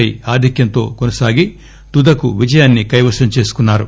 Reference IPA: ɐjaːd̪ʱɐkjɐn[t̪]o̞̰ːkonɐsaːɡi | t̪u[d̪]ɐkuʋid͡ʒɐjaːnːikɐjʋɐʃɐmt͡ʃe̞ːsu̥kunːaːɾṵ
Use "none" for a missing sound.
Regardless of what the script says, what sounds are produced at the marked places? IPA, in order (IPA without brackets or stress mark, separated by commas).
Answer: t̪, d̪